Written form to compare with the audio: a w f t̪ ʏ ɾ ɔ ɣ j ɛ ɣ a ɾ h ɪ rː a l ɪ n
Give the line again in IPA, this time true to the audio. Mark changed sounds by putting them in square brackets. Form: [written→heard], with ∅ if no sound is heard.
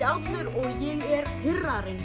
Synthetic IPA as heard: a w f t̪ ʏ ɾ ɔ ɣ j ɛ ɣ [a→ɛ] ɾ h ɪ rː a [l→ɾ] ɪ n